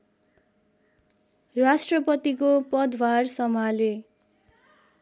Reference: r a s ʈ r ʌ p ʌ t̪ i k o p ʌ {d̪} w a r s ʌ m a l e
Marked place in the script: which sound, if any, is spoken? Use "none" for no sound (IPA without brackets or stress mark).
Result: d̪